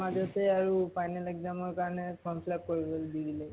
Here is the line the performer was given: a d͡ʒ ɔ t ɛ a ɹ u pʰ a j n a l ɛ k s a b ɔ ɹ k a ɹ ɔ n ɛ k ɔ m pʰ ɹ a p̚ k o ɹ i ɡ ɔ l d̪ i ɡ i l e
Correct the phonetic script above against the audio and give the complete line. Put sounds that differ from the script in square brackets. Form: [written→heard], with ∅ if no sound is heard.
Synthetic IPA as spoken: a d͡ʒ ɔ t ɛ a ɹ u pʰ a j n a l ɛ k [s→z] a [b→m] ɔ ɹ k a ɹ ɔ n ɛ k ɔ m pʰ [ɹ→l] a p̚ k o ɹ i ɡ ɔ l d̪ i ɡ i l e